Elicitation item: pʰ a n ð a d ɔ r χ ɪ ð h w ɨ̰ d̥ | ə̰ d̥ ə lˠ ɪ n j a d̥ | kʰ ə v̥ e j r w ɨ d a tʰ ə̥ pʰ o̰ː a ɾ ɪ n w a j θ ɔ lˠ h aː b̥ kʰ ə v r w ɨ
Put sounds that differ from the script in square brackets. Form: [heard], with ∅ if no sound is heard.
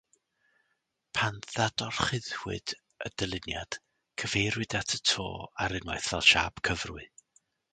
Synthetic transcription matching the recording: pʰ a n ð a d ɔ r χ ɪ ð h w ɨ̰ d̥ | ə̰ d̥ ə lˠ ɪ n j a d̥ | kʰ ə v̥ e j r w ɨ d a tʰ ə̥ [tʰ] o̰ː a ɾ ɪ n w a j θ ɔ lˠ [ʃ] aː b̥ kʰ ə v r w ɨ